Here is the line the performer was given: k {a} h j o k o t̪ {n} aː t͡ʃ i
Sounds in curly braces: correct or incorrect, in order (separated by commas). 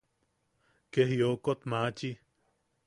incorrect, incorrect